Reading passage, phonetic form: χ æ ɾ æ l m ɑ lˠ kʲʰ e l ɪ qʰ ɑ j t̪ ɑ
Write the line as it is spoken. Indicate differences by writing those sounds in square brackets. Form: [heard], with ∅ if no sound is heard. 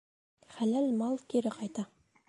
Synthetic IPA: χ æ [l] æ l m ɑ lˠ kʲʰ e [ɾ] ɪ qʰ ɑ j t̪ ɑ